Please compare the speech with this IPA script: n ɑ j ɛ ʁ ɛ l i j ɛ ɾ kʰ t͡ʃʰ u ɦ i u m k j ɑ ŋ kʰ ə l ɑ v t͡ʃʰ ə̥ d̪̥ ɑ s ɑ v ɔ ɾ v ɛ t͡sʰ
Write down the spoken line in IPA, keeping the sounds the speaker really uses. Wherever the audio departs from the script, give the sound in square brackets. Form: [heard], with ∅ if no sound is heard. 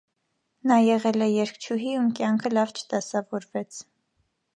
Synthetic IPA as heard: n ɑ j ɛ ʁ ɛ l [ɛ] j ɛ ɾ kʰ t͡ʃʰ u ɦ i u m k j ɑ ŋ kʰ ə l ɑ v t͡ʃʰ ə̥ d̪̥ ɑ s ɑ v ɔ ɾ v ɛ t͡sʰ